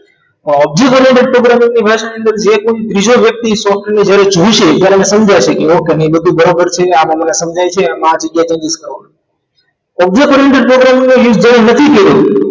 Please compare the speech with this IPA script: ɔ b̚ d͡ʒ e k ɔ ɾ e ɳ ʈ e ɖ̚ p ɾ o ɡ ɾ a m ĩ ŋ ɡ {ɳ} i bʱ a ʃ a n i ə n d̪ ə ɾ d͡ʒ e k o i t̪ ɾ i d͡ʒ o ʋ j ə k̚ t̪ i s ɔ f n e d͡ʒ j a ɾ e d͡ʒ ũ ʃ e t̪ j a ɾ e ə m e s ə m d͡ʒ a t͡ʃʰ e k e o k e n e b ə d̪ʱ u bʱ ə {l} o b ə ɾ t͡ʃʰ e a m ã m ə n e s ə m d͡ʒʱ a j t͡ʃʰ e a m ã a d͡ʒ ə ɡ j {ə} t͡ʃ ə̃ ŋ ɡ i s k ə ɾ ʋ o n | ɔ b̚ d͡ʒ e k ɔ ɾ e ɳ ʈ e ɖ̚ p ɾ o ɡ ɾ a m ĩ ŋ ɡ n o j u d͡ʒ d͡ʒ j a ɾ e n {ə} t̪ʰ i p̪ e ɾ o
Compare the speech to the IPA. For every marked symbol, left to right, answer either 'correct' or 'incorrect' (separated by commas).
incorrect, incorrect, incorrect, correct